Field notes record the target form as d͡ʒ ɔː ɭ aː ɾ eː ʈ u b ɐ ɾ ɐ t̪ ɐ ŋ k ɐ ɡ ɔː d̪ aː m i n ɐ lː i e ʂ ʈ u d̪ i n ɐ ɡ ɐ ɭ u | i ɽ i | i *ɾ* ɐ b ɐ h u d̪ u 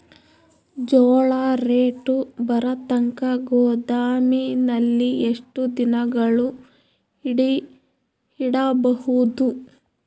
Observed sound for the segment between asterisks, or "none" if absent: ɽ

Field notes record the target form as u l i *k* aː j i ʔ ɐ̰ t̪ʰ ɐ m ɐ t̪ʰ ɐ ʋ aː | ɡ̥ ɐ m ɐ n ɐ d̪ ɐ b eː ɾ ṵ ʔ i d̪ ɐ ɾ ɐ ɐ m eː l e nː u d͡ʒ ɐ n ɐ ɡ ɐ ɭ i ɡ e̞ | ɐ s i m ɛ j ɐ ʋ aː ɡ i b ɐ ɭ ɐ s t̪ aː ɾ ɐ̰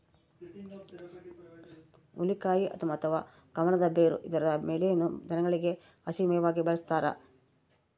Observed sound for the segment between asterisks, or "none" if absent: k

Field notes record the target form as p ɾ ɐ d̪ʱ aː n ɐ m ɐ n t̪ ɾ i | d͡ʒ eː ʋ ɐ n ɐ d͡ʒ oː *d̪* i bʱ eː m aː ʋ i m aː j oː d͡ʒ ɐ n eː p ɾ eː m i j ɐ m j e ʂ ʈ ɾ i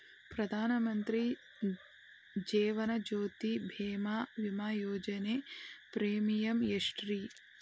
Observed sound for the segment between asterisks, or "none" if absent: t̪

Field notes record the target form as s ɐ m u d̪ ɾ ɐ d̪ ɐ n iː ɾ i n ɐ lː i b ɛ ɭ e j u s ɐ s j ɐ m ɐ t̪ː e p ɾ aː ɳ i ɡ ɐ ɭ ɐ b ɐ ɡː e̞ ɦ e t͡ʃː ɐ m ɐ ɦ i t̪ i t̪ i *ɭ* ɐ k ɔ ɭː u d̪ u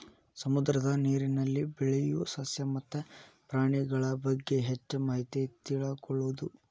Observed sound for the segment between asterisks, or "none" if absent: ɭ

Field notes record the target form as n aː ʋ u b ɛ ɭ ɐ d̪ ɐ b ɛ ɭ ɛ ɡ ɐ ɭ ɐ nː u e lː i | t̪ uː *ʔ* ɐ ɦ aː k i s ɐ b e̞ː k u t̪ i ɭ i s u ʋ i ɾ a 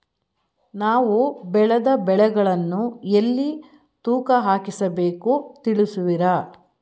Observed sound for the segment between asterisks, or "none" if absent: k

